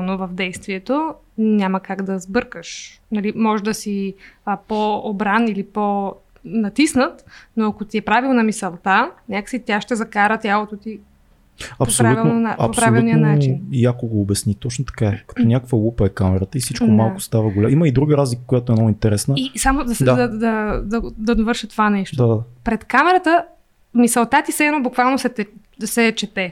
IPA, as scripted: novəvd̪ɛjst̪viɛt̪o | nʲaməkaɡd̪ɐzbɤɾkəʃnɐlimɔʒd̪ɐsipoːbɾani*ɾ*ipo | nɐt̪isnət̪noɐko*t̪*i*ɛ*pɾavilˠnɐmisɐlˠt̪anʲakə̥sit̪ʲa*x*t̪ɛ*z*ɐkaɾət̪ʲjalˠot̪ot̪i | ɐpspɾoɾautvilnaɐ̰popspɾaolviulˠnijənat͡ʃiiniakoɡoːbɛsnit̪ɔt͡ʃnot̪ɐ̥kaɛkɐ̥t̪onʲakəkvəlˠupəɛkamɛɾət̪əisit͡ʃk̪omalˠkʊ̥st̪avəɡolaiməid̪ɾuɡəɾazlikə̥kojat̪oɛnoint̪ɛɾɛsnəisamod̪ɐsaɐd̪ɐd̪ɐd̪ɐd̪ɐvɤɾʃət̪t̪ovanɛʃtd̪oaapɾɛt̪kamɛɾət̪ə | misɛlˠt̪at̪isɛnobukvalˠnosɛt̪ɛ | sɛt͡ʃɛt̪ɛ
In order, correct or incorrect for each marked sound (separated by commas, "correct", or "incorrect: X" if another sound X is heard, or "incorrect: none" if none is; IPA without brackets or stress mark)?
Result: incorrect: l, correct, correct, incorrect: ʃ, correct